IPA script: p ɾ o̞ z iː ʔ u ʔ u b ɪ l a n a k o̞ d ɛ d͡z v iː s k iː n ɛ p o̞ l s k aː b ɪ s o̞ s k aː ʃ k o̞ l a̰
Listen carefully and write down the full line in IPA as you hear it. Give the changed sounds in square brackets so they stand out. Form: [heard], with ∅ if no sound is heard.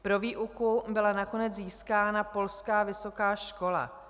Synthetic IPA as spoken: p ɾ o̞ [v] iː ʔ u [k] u b ɪ l a n a k o̞ [n] ɛ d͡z [z] iː s k [aː] n [a] p o̞ l s k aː [v] ɪ s o̞ [∅] k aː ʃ k o̞ l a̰